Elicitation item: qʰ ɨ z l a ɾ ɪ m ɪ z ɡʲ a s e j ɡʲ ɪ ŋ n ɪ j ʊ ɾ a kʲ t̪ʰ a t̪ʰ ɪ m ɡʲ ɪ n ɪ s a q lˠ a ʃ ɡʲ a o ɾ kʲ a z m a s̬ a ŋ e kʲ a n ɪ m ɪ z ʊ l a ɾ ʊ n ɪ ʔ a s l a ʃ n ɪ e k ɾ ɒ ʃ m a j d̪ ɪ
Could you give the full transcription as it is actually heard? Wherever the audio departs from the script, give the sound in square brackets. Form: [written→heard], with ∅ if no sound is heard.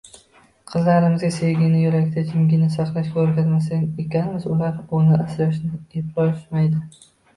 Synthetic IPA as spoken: qʰ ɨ z l a ɾ ɪ m ɪ z ɡʲ a s e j ɡʲ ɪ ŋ n ɪ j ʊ ɾ a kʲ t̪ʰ a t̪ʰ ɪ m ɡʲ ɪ n ɪ s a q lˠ a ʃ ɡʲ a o ɾ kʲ a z m a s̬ a ŋ e kʲ a n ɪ m ɪ z ʊ l a ɾ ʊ n ɪ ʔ a s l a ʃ n ɪ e [k→p] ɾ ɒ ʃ m a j d̪ ɪ